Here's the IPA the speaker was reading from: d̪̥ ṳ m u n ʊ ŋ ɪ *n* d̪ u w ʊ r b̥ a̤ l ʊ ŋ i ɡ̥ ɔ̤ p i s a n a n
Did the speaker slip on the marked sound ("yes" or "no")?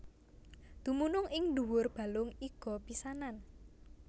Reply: yes